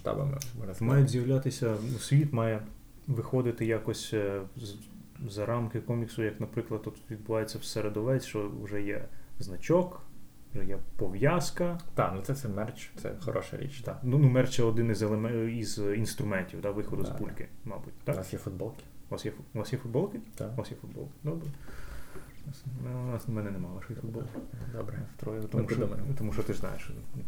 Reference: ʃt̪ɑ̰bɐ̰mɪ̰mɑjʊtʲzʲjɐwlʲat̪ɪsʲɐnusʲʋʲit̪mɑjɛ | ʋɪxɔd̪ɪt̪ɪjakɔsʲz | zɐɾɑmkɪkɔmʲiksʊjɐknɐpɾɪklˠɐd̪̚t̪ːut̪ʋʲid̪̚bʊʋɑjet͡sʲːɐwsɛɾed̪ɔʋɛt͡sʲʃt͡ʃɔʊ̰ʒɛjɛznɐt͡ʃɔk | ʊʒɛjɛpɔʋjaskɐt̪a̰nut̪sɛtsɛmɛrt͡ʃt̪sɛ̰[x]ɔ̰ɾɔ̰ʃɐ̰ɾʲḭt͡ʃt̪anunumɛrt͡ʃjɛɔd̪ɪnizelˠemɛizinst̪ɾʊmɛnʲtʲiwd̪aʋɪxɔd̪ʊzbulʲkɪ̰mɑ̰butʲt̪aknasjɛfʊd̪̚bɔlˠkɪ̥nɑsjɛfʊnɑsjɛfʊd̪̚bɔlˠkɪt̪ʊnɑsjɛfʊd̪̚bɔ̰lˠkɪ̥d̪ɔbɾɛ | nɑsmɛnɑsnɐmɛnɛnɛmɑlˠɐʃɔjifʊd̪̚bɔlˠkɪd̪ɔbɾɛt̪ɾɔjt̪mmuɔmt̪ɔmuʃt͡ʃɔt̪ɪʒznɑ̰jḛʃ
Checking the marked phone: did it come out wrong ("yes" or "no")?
no